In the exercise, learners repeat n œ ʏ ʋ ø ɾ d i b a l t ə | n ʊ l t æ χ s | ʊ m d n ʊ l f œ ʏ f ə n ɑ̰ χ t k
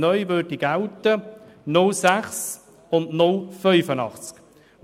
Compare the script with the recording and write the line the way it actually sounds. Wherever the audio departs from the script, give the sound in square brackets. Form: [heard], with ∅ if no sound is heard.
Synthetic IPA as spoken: n œ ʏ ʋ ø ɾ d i [ɡ] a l t ə | n ʊ l [s] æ χ s | ʊ [n] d n ʊ l f œ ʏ f ə n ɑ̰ χ [t͡s] k